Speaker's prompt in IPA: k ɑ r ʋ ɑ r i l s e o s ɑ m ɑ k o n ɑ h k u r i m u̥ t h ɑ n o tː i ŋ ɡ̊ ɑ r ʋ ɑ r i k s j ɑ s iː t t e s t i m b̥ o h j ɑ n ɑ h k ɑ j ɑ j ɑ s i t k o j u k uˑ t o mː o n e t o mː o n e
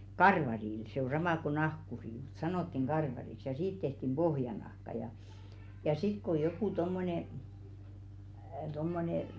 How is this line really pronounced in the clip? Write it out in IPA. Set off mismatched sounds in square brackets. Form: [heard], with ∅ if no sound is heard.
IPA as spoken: k ɑ r ʋ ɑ r i l s e o s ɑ m ɑ k o n ɑ h k u r i m u̥ t [s] ɑ n o tː i ŋ ɡ̊ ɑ r ʋ ɑ r i k s j ɑ s iː t t e [h] t i m b̥ o h j ɑ n ɑ h k ɑ j ɑ j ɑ s i t k o j [o] k uˑ t o mː o n e t o mː o n e